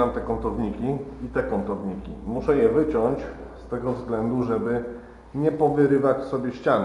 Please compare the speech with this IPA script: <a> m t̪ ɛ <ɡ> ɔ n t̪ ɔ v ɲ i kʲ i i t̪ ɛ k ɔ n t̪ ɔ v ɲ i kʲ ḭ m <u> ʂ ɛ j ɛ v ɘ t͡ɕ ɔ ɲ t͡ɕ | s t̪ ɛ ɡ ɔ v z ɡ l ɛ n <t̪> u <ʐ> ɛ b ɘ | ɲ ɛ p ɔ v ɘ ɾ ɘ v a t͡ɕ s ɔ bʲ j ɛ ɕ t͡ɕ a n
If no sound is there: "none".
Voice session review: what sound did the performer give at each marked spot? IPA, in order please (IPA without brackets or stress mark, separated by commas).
a, k, u, d̪, ʐ